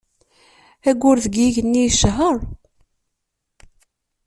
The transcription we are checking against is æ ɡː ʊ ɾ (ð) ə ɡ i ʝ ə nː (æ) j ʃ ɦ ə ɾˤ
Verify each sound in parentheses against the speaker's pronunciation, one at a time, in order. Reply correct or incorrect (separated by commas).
correct, incorrect